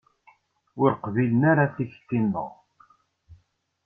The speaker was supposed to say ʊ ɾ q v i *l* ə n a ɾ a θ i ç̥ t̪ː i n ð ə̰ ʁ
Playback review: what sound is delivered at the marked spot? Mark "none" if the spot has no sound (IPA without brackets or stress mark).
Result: l